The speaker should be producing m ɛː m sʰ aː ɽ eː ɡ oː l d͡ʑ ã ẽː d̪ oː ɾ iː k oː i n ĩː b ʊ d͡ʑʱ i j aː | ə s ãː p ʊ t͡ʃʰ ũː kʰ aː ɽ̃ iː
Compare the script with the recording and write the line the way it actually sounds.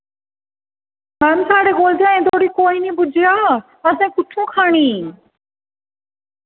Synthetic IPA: m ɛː m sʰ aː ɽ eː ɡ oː l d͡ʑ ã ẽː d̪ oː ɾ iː k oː i n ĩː b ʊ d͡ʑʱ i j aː | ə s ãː k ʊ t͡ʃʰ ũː kʰ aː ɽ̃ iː